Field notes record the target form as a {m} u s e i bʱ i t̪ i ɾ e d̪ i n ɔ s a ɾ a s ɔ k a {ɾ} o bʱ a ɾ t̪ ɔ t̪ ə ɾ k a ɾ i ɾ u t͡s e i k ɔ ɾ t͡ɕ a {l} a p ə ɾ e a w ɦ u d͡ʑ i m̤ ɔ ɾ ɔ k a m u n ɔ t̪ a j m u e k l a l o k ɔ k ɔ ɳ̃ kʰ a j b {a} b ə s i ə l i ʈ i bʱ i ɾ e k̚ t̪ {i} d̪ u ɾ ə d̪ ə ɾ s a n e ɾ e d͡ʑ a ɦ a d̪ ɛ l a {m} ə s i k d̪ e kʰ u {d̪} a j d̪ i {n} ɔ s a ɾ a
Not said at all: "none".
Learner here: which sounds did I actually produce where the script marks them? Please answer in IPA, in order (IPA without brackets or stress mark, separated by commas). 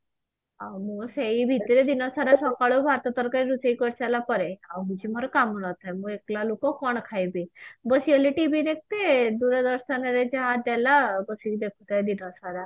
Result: m, ɭ, l, i, e, b, t̪, n